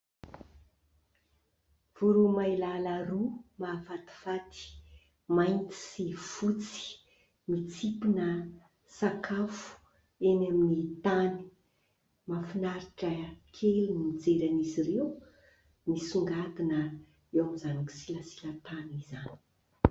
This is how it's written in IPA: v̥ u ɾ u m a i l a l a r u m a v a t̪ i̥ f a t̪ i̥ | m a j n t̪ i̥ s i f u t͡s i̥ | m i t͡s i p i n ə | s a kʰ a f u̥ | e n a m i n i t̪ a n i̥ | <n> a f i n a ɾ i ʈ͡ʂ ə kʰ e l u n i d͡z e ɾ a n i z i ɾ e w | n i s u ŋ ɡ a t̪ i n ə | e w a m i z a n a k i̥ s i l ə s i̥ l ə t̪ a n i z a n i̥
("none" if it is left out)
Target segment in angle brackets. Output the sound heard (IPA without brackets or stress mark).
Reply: m